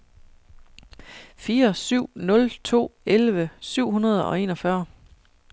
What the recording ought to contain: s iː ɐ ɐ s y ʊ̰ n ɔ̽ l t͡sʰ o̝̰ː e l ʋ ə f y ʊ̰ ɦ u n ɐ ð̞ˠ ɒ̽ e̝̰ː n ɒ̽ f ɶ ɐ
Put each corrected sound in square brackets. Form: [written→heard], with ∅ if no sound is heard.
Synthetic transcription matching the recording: [s→f] iː ɐ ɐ s y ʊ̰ n ɔ̽ l t͡sʰ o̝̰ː e l ʋ ə [f→s] y ʊ̰ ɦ u n ɐ ð̞ˠ ɒ̽ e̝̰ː n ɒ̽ f ɶ ɐ